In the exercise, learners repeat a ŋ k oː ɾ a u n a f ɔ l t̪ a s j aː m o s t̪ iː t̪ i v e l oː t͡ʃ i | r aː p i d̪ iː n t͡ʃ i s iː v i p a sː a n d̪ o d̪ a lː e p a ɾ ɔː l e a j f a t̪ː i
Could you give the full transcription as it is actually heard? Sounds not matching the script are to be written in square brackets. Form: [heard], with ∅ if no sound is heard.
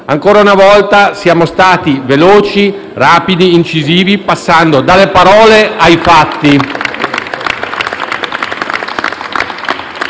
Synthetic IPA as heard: a ŋ k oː ɾ a u n a [v] ɔ l t̪ a s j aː m o s t̪ [aː] t̪ i v e l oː t͡ʃ i | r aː p i d̪ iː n t͡ʃ i [z] iː v i p a sː a n d̪ o d̪ a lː e p a ɾ ɔː l e a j f a t̪ː i

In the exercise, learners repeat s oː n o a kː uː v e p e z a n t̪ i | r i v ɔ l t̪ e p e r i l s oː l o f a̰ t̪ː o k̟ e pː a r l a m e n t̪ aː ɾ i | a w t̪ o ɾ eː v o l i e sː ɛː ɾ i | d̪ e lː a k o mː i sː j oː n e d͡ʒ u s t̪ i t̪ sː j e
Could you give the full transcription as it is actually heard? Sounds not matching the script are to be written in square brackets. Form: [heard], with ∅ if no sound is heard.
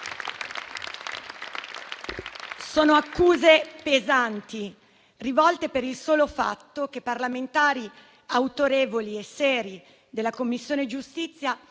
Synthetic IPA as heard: s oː n o a kː uː [z] e p e z a n t̪ i | r i v ɔ l t̪ e p e [ɾ] i l s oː l o f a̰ t̪ː o k̟ e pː a r l a m e n t̪ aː ɾ i | a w t̪ o ɾ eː v o l i e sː ɛː ɾ i | d̪ e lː a k o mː i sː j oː n e d͡ʒ u s t̪ i t̪ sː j [a]

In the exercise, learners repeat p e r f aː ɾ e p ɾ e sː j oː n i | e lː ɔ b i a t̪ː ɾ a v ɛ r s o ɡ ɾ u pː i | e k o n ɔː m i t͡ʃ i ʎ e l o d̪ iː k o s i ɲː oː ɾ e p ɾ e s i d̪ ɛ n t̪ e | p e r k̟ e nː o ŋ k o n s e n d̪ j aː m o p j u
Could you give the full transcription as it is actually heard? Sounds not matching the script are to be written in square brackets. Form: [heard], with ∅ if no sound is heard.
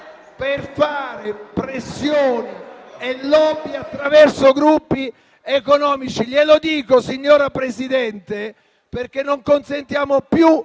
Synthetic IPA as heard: p e r f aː ɾ e p ɾ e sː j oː n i | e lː ɔ b i a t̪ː ɾ a v ɛ r s o ɡ ɾ u pː i | e k o n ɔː m i t͡ʃ i ʎ e l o d̪ iː k o s i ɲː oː ɾ [a] p ɾ e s i d̪ ɛ n t̪ e | p e r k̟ e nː o ŋ k o n s e n [t̪] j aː m o p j u

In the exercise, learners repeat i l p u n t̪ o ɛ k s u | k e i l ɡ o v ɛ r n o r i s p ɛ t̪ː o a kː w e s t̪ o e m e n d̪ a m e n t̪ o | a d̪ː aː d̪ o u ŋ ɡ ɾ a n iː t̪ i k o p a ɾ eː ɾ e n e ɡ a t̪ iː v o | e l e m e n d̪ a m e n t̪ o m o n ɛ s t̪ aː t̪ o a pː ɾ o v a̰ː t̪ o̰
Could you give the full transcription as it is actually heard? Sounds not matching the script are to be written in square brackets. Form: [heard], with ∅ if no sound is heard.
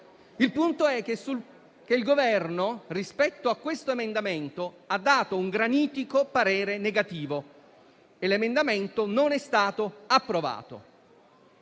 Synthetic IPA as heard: i l p u n t̪ o ɛ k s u | k e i l ɡ o v ɛ r n o r i s p ɛ t̪ː o a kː w e s t̪ o e m e n d̪ a m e n t̪ o | a d̪ː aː [t̪] o u ŋ ɡ ɾ a n iː t̪ i k o p a ɾ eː ɾ e n e ɡ a t̪ iː v o | e l e m e n d̪ a m e n t̪ o [n] o n ɛ s t̪ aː t̪ o a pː ɾ o v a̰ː t̪ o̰

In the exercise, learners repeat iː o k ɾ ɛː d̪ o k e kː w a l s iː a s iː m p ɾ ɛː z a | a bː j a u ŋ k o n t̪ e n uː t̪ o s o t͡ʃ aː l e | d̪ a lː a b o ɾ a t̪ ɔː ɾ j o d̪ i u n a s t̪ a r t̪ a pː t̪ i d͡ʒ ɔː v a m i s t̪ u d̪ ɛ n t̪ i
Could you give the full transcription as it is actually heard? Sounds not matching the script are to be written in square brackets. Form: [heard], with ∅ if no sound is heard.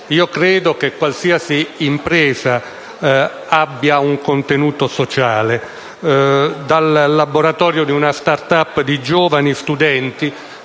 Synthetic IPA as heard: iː o k ɾ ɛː d̪ o k e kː w a l s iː a s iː m p ɾ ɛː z a | a bː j a u ŋ k o n t̪ e n uː t̪ o s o t͡ʃ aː l e | d̪ a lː a b o ɾ a t̪ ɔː ɾ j o d̪ i u n a s t̪ a r t̪ a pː [d̪] i d͡ʒ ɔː v a [n] i s t̪ u d̪ ɛ n t̪ i

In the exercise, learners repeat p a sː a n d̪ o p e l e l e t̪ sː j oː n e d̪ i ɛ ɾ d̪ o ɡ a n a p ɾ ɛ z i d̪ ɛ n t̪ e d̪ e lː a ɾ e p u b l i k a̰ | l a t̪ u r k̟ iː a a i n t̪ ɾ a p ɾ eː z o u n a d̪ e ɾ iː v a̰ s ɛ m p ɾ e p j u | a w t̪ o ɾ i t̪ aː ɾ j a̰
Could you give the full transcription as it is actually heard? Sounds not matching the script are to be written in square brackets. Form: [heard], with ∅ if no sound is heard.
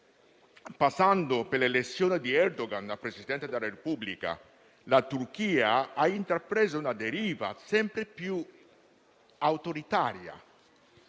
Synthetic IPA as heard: p a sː a n d̪ o p e l e l e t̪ sː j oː n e d̪ i ɛ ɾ d̪ o ɡ a n a p ɾ [e] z i d̪ ɛ n t̪ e d̪ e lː a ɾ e p u b l i k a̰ | l a t̪ u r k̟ iː a a i n t̪ ɾ a p ɾ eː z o u n a d̪ e ɾ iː v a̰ s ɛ m p ɾ e p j u | a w t̪ o ɾ i t̪ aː ɾ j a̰

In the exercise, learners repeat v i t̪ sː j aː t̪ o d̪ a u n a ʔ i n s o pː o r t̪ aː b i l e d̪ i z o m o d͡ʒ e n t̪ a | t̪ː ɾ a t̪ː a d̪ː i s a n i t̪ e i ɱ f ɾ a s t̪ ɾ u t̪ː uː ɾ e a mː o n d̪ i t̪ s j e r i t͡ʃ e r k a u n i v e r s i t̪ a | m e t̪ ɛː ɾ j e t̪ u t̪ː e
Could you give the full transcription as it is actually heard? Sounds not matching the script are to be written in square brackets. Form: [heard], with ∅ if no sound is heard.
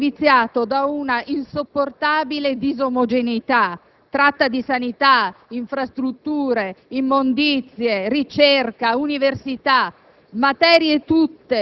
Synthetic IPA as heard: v i t̪ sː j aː t̪ o d̪ a u n a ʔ i n s o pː o r t̪ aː b i l e d̪ i z o m o d͡ʒ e n t̪ a | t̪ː ɾ a t̪ː a [d̪] i s a n i t̪ [a] i ɱ f ɾ a s t̪ ɾ u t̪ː uː ɾ e [i] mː o n d̪ i t̪ s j e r i t͡ʃ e r k a u n i v e r s i t̪ a | m [a] t̪ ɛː ɾ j e t̪ u t̪ː e

